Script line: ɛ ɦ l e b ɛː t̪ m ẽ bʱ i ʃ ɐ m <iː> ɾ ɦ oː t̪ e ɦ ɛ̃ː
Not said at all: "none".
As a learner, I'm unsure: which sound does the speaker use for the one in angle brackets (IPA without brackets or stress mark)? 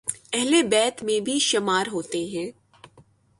aː